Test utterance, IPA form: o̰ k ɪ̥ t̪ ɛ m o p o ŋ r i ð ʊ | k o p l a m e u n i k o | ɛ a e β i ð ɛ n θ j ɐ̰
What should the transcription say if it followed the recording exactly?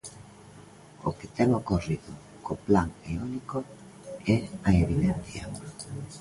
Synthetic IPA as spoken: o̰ k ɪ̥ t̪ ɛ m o k o r i ð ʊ | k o p l a ŋ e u n i k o | ɛ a e β i ð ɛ n θ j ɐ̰